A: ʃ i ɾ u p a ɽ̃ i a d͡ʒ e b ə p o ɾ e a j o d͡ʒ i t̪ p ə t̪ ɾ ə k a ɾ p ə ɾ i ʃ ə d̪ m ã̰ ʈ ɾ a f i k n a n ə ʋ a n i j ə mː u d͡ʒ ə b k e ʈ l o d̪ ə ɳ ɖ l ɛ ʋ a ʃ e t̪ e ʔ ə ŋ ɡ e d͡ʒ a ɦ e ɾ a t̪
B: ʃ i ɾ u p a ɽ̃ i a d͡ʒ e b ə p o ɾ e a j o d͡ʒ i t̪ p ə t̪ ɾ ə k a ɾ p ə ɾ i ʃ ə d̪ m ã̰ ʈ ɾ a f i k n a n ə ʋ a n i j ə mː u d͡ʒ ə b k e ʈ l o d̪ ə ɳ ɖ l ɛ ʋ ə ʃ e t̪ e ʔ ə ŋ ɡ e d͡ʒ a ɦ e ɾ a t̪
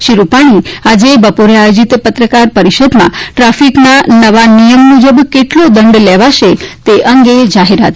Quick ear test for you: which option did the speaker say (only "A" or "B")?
A